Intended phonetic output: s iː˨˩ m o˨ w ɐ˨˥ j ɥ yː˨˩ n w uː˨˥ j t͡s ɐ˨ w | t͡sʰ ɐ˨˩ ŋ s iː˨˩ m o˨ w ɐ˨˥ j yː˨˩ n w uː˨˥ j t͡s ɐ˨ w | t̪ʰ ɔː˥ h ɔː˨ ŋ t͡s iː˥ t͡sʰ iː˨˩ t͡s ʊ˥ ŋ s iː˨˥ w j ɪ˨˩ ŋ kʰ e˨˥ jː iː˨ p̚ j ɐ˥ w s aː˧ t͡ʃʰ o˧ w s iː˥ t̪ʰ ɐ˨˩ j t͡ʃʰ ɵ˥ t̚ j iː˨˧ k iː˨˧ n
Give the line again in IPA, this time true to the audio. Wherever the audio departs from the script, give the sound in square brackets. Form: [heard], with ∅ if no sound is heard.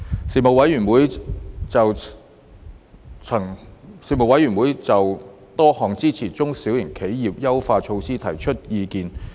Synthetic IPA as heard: s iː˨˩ m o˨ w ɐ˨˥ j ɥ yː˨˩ n w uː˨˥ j t͡s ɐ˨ w | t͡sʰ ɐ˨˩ ŋ s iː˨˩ m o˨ w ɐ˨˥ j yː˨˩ n w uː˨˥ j t͡s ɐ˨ w | [t̪] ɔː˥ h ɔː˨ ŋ t͡s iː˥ t͡sʰ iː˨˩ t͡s ʊ˥ ŋ s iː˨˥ w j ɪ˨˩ ŋ kʰ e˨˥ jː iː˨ p̚ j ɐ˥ w [f] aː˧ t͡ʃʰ o˧ w s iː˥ t̪ʰ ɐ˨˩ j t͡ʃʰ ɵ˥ t̚ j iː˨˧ k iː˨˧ n